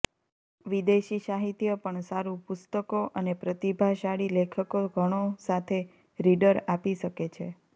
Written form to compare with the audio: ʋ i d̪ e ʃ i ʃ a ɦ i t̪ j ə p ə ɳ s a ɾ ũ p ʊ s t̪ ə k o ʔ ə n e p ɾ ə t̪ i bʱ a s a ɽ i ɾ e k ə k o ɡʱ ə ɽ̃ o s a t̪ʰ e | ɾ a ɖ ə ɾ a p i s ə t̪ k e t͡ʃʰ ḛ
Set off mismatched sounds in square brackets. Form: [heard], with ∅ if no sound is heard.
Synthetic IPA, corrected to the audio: ʋ i d̪ e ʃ i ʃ a ɦ i t̪ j ə p ə ɳ s a ɾ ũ p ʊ s t̪ ə k o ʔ ə n e p ɾ ə t̪ i bʱ a [ʃ] a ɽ i [l] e [kʰ] ə k o ɡʱ ə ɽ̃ o s a t̪ʰ e | ɾ [i] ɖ ə ɾ a p i [ʃ] ə [∅] k e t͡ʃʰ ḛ